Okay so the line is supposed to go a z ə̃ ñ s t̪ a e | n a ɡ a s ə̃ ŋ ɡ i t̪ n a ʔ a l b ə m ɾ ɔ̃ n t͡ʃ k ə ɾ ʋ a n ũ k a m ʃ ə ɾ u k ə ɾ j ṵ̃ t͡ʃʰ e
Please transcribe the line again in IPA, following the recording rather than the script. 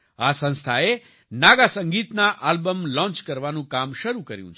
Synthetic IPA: a s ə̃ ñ s t̪ʰ a e | n a ɡ a s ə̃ ŋ ɡ i t̪ n a ʔ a l b ə m l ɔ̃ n t͡ʃ k ə ɾ ʋ a n ũ k a m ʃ ə ɾ u k ə ɾ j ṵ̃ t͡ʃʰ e